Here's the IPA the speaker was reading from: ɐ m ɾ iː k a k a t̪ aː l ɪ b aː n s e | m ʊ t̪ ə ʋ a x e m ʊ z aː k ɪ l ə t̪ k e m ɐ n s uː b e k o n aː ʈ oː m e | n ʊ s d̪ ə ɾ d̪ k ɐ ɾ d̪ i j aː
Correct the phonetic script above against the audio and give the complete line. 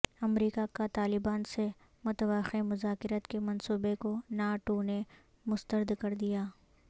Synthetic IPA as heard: ɐ m ɾ iː k a k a t̪ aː l ɪ b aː n s e | m ʊ t̪ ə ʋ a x e m ʊ z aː k ɪ ɾ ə t̪ k e m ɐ n s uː b e k o n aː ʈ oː n e | m ʊ s t̪ ə ɾ d̪ k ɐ ɾ d̪ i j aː